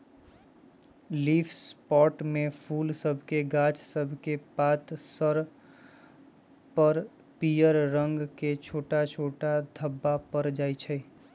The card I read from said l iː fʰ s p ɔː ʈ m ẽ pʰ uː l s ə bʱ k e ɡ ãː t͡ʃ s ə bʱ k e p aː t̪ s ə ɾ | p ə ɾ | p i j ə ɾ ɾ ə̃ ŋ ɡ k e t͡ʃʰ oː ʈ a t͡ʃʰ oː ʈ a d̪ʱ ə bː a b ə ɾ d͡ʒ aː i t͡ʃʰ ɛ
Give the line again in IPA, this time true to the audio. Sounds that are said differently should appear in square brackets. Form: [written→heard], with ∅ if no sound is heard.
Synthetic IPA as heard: l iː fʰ s p ɔː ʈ m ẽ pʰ uː l s ə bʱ k e ɡ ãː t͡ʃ s ə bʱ k e p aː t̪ s ə ɾ | p ə ɾ | p i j ə ɾ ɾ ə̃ ŋ ɡ k e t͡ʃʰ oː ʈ a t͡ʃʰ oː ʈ a d̪ʱ ə bː a [b→p] ə ɾ d͡ʒ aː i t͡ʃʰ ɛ